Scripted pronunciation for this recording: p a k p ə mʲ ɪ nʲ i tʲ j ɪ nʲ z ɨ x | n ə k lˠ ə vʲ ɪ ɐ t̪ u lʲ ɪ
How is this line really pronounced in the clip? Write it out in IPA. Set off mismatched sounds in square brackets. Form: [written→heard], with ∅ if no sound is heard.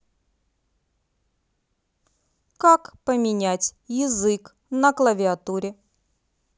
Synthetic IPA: [p→k] a k p ə mʲ ɪ nʲ [i→æ] tʲ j ɪ [nʲ→∅] z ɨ [x→k] | n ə k lˠ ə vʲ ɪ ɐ t̪ u [lʲ→ɾʲ] ɪ